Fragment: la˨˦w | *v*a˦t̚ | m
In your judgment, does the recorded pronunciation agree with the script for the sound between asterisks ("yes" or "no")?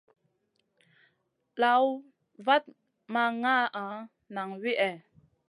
yes